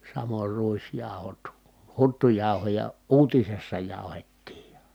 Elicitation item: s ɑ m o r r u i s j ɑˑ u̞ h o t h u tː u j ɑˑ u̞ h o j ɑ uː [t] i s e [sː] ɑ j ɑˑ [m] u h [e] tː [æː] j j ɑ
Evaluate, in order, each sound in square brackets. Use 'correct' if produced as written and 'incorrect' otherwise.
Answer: correct, correct, incorrect: none, correct, incorrect: iː

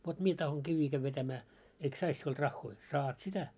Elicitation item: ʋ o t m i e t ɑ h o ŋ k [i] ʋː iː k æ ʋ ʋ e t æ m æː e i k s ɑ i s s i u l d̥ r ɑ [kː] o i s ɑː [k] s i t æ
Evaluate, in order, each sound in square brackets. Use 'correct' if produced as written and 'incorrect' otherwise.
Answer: correct, incorrect: xː, incorrect: t

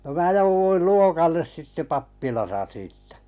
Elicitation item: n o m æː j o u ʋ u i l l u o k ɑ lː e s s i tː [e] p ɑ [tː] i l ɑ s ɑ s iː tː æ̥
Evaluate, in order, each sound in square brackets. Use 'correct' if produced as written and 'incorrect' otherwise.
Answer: correct, incorrect: pː

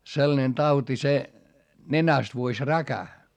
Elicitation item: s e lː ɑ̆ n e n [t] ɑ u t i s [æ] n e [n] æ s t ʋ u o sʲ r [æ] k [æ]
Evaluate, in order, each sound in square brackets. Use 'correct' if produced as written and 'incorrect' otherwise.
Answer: correct, incorrect: e, correct, correct, correct

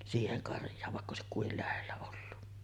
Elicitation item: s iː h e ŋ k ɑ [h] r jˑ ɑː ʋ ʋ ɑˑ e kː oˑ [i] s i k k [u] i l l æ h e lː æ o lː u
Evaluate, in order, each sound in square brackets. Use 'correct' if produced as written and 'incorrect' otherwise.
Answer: incorrect: none, incorrect: e, correct

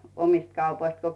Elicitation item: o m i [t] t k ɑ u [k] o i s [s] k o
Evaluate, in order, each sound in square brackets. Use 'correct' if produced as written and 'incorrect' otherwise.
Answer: incorrect: s, incorrect: p, incorrect: t

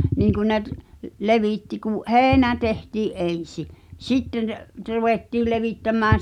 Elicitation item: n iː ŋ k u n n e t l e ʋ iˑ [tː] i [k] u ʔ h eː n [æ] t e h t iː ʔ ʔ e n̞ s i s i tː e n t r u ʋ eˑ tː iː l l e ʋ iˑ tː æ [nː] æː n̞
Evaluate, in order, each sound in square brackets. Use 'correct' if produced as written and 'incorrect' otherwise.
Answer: correct, correct, correct, incorrect: mː

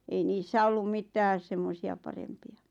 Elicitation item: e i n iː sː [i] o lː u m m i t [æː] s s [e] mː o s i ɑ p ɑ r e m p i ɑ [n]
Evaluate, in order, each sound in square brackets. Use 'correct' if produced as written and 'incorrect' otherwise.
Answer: incorrect: æ, correct, correct, incorrect: none

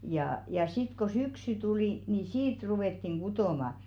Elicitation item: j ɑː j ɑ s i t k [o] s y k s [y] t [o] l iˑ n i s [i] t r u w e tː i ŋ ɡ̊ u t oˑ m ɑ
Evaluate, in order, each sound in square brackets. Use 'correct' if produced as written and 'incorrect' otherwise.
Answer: correct, correct, incorrect: u, incorrect: iː

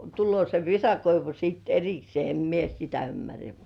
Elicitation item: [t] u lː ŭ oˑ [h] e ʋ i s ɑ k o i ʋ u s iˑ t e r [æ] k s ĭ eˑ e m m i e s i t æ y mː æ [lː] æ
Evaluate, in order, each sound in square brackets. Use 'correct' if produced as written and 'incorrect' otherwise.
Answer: correct, incorrect: s, incorrect: i, incorrect: rː

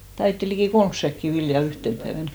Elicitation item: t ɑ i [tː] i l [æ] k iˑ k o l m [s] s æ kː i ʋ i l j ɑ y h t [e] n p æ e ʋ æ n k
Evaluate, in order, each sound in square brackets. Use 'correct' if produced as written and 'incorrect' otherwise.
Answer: correct, incorrect: i, correct, correct

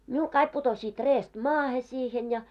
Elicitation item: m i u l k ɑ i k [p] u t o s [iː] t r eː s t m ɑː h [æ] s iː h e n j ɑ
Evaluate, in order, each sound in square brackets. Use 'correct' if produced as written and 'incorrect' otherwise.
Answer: correct, correct, incorrect: e

